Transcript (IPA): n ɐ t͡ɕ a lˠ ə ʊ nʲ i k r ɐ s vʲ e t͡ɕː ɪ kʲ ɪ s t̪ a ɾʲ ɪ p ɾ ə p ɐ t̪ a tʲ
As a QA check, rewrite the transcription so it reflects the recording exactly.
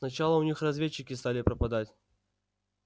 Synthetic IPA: n ɐ t͡ɕ a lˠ ə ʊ nʲ i x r ɐ z vʲ e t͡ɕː ɪ kʲ ɪ s t̪ a lʲ ɪ p ɾ ə p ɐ d̪ a tʲ

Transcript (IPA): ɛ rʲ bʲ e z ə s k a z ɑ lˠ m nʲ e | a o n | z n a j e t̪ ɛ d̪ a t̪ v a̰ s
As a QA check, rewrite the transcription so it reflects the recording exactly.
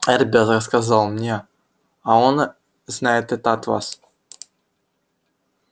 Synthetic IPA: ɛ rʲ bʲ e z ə s k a z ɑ lˠ m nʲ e | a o n | z n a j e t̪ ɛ t̪ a t̪ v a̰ s

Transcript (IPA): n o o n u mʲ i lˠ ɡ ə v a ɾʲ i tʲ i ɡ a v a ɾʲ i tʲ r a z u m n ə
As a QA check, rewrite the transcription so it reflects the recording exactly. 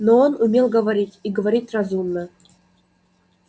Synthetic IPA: n o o n u mʲ e lˠ ɡ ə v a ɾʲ i tʲ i ɡ ə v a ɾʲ i tʲ r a z u m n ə

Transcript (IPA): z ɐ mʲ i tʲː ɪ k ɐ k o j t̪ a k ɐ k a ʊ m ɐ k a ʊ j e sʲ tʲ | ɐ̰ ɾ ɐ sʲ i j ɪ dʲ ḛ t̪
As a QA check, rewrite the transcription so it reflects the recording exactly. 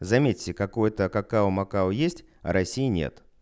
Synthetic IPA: z ɐ mʲ e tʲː ɪ k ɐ k o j t̪ ə k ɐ k a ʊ m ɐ k a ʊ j e sʲ tʲ | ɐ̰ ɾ ɐ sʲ i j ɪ nʲ ḛ t̪

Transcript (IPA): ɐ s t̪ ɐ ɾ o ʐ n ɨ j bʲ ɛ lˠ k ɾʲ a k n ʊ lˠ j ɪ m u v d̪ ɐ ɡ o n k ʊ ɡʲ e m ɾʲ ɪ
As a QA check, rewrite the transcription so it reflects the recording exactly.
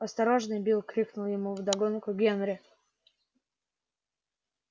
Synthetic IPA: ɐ s t̪ ɐ ɾ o ʐ n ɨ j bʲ i lˠ k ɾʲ i k n ʊ lˠ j ɪ m u v d̪ ɐ ɡ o n k ʊ ɡʲ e n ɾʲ ɪ

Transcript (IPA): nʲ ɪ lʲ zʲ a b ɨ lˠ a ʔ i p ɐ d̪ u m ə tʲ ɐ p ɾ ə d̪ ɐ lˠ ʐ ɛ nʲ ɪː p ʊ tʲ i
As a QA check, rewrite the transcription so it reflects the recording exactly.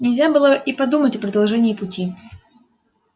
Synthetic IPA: nʲ ɪ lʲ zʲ a b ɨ lˠ ə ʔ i p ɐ d̪ u m ə tʲ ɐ p ɾ ə d̪ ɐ lˠ ʐ ɛ nʲ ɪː p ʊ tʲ i

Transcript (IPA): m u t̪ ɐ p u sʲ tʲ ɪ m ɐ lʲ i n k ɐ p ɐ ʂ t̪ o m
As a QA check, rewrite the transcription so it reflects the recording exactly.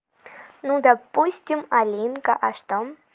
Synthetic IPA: n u d̪ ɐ p u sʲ tʲ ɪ m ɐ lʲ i n k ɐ ʔ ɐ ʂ t̪ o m

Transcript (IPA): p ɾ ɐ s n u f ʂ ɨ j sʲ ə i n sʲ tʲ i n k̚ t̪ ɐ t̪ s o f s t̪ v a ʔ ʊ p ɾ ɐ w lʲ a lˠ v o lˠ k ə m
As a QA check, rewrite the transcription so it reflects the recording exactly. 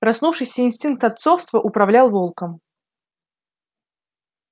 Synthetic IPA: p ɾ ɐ s n u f ʂ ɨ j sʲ ə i n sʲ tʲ i n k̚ t̪ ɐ t̪ s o f s t̪ v ə ʔ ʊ p ɾ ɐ v lʲ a lˠ v o lˠ k ə m

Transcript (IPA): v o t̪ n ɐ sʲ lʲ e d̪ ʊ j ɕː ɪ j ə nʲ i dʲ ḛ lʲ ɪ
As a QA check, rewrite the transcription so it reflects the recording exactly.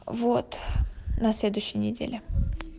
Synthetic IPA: v o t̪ n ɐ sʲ lʲ e d̪ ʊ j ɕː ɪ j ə nʲ ɪ dʲ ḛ lʲ ɪ

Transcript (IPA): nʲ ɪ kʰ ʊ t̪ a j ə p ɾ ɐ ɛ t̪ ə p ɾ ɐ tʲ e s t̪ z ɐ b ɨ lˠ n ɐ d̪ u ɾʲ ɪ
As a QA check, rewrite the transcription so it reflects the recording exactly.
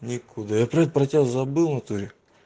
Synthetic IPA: nʲ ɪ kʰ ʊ d̪ a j a p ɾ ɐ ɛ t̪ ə p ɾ ɐ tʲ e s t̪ z ɐ b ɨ lˠ n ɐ t̪ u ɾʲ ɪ

